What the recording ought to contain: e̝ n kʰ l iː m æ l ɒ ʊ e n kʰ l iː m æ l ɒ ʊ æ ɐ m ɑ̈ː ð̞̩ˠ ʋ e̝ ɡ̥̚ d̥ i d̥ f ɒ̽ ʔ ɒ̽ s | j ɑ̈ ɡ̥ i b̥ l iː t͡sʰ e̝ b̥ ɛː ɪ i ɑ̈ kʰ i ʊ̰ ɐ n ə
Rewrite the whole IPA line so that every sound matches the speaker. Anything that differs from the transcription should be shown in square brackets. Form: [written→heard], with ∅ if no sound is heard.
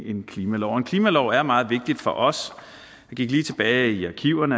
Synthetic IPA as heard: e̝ n kʰ l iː m æ l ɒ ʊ e n kʰ l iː m æ l ɒ ʊ æ ɐ m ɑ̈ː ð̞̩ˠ ʋ e̝ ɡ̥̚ d̥ i d̥ f ɒ̽ ʔ ɒ̽ s | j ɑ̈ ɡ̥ i [b̥→ɡ̥] l iː t͡sʰ e̝ b̥ ɛː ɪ i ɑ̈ kʰ i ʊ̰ ɐ n ə